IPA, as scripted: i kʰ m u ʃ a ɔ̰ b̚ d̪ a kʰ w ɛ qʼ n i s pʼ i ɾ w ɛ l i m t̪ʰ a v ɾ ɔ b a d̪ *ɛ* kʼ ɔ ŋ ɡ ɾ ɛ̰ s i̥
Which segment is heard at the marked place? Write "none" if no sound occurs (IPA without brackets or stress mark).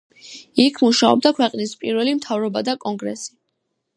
a